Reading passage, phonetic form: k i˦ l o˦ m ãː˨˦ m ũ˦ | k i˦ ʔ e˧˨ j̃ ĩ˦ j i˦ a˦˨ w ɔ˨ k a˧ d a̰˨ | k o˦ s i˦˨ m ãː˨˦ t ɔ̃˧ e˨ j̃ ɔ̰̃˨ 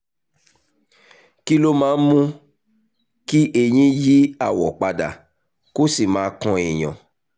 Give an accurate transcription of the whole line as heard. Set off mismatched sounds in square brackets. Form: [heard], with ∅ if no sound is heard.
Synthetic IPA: k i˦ l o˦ m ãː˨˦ m ũ˦ | k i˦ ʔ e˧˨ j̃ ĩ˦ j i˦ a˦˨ w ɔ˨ [k͡p] a˧ d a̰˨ | k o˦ s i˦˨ m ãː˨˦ [k] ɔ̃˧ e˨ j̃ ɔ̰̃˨